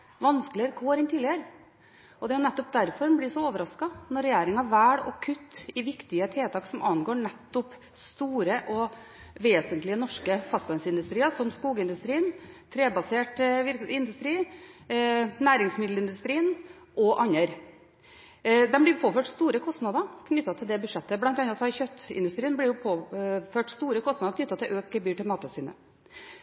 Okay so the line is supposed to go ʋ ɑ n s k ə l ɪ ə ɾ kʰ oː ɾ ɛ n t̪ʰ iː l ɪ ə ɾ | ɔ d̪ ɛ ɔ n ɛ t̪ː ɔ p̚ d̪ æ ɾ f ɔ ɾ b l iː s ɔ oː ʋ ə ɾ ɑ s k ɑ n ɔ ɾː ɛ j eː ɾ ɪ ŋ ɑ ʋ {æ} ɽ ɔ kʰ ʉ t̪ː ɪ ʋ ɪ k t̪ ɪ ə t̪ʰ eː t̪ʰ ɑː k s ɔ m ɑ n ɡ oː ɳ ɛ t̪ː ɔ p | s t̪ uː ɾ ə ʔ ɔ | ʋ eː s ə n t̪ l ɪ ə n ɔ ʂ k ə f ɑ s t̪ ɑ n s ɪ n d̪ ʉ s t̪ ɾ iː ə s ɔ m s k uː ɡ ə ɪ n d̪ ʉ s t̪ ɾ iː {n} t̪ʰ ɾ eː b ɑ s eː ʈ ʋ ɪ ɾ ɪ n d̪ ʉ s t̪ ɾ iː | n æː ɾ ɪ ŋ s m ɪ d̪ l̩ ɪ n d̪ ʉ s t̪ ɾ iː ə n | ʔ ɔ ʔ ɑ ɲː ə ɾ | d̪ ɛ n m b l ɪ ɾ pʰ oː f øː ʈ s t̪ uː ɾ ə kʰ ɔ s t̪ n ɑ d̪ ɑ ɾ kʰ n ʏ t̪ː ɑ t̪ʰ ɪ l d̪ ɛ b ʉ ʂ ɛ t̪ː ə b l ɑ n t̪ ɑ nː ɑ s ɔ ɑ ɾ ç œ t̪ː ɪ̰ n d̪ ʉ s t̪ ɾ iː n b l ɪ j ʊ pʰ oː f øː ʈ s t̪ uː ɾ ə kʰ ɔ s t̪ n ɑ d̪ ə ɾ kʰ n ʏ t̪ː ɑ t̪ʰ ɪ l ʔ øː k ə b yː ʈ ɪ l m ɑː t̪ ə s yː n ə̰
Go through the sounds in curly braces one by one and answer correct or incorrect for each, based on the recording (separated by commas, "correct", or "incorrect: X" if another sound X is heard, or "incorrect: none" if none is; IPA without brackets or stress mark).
incorrect: æː, correct